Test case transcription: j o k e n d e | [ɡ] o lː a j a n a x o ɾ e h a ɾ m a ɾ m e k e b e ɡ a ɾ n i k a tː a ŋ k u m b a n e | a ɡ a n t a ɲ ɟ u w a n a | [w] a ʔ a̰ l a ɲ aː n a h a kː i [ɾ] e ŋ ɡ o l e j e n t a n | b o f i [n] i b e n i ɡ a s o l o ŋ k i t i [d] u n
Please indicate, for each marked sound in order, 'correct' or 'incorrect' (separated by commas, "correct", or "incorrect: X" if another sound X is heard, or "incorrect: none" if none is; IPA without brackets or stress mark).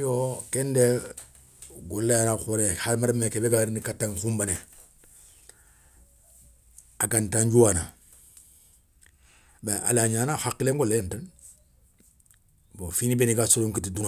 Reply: correct, incorrect: b, incorrect: l, correct, correct